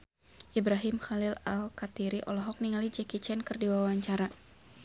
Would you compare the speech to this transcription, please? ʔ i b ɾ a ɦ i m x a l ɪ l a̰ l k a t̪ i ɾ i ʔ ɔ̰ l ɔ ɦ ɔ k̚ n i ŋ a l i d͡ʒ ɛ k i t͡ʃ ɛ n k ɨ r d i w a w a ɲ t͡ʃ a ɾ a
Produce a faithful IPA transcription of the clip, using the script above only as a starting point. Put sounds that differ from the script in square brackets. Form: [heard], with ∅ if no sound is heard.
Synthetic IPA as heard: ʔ i b ɾ a ɦ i m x a l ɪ l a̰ l k a t̪ i ɾ i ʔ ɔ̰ l ɔ ɦ ɔ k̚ n i ŋ a l i d͡ʒ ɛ k i t͡ʃ ɛ n k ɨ r d i w a w a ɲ t͡ʃ a ɾ a